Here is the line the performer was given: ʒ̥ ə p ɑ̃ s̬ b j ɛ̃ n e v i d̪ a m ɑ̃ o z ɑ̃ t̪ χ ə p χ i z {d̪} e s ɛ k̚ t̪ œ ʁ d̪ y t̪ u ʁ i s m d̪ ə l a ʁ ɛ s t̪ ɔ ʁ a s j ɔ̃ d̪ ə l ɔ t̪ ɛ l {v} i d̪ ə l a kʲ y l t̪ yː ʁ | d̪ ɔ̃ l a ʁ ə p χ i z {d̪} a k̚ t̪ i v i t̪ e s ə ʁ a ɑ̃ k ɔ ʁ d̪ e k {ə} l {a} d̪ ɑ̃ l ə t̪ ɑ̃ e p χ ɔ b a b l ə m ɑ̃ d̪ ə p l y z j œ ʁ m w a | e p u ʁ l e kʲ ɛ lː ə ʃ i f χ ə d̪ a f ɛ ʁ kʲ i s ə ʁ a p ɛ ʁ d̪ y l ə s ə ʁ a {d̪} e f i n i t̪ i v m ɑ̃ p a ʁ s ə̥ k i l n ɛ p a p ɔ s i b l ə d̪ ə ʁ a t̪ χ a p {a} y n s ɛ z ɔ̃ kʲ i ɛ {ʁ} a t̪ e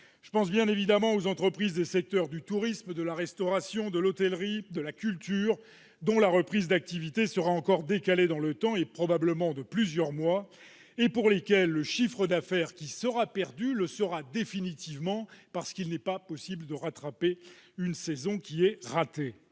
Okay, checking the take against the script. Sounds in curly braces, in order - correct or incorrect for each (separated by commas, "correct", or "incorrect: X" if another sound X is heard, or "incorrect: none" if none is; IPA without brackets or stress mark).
correct, incorrect: ʁ, correct, incorrect: a, incorrect: e, correct, incorrect: e, correct